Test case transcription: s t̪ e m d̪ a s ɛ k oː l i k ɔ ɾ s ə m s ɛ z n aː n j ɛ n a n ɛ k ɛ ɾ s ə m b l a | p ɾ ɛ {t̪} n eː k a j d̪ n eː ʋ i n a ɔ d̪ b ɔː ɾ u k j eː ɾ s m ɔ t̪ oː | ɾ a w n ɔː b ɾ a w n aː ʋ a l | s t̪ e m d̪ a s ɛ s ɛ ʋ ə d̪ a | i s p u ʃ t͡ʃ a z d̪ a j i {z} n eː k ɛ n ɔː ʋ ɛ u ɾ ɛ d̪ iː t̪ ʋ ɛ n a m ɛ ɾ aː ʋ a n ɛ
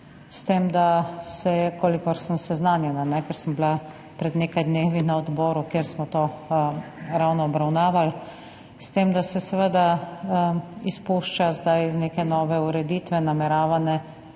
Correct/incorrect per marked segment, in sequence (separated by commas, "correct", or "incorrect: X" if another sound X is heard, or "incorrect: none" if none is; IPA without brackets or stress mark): incorrect: d̪, correct